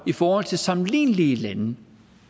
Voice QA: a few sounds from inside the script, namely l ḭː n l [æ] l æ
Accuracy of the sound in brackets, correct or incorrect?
incorrect